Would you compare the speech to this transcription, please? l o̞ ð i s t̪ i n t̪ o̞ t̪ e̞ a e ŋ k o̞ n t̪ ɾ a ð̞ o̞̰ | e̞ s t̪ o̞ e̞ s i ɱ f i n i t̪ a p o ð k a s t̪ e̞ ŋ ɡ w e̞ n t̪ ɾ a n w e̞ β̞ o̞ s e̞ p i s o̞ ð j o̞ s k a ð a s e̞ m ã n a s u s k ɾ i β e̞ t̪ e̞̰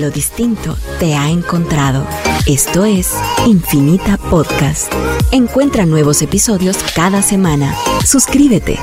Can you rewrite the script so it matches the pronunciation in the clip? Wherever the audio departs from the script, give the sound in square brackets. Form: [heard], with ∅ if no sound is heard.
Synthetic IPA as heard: l o̞ ð i s t̪ i n t̪ o̞ t̪ e̞ a e ŋ k o̞ n t̪ ɾ a ð̞ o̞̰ | e̞ s t̪ o̞ e̞ s i ɱ f i n i t̪ a p o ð k a s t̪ e̞ ŋ [k] w e̞ n t̪ ɾ a n w e̞ β̞ o̞ s e̞ p i s o̞ ð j o̞ s k a ð a s e̞ m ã n a s u s k ɾ i β e̞ t̪ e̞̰